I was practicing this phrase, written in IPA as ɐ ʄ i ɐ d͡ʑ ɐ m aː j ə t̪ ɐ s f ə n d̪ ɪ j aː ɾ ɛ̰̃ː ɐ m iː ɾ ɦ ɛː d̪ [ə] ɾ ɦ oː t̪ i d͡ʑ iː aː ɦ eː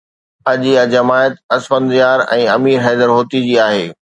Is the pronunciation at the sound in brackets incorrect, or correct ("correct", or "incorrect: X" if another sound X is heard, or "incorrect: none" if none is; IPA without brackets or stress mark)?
correct